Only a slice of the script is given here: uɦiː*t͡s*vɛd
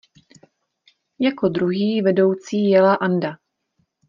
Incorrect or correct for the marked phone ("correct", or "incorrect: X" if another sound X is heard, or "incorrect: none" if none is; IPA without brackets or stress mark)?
incorrect: none